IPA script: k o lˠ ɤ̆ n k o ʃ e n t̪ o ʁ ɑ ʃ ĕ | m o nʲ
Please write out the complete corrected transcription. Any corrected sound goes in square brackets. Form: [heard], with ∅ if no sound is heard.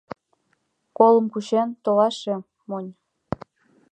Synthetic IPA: k o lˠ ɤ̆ [m] k [u] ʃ e n t̪ o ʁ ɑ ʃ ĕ | m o nʲ